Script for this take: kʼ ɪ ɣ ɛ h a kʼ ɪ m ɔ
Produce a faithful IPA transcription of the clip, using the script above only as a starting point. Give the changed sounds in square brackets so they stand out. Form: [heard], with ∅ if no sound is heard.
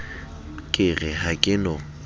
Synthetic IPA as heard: kʼ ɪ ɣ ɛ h a kʼ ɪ [n] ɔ